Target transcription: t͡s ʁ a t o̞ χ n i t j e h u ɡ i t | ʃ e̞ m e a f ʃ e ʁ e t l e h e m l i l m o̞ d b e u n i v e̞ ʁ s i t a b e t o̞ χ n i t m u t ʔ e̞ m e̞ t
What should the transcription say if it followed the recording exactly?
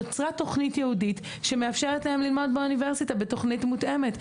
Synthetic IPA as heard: t͡s ʁ a t o̞ χ n i t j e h u d i t | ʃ e̞ m e a f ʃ e ʁ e t l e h e m l i l m o̞ d b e u n i v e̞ ʁ s i t a b e t o̞ χ n i t m u t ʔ e̞ m e̞ t